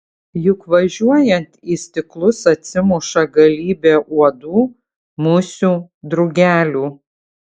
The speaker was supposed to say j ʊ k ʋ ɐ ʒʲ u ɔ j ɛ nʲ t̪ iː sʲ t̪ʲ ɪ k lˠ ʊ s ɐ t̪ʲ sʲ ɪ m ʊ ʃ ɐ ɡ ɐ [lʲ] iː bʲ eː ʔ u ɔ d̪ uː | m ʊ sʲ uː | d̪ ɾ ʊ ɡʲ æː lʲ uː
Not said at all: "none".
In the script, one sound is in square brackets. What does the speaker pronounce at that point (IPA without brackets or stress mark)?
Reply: lʲ